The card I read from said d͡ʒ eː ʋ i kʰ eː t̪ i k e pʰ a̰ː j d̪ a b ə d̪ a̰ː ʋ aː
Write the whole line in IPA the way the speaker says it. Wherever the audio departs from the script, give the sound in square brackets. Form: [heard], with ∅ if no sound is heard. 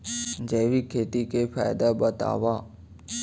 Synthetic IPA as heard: d͡ʒ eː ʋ i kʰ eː t̪ i k e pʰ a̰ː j d̪ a b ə [t̪] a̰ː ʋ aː